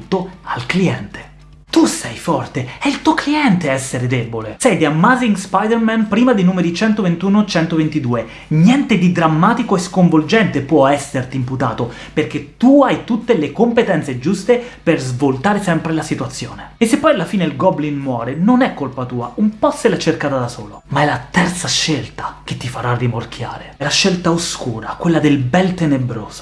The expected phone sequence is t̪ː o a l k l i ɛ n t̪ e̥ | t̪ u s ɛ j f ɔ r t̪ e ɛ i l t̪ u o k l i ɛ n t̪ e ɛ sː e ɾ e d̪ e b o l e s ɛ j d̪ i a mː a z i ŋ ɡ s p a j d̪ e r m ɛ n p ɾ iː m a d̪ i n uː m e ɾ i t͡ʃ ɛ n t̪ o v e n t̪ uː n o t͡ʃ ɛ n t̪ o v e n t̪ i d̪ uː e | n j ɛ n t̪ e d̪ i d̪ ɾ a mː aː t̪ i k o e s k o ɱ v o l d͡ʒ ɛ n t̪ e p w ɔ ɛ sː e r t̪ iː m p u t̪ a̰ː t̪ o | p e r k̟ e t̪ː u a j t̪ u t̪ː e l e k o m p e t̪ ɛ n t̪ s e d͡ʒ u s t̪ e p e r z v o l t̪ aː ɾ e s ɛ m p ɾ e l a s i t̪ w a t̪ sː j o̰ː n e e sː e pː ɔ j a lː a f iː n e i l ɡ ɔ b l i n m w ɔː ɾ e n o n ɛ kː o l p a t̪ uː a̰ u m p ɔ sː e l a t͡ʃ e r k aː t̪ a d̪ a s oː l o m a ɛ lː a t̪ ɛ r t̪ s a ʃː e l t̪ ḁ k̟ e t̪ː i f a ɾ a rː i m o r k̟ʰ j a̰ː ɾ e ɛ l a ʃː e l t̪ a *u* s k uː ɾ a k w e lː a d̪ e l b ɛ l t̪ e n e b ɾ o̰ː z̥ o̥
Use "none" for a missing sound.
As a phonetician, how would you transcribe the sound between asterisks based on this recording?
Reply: o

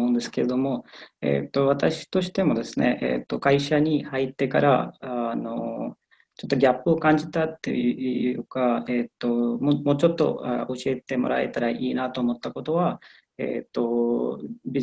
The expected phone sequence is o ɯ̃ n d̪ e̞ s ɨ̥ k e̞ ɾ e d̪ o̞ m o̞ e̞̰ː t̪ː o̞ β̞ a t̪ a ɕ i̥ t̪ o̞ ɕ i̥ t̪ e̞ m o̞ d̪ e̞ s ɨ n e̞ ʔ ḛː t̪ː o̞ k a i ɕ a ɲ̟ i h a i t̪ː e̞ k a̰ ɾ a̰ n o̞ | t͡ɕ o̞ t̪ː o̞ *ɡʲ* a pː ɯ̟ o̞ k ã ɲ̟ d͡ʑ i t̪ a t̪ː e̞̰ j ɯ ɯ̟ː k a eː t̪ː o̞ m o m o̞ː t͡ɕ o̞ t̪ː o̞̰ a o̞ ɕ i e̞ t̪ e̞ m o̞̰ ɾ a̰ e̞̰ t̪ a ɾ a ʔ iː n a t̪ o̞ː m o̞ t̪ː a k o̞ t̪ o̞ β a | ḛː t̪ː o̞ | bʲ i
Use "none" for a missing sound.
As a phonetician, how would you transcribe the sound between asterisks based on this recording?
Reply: ɡʲ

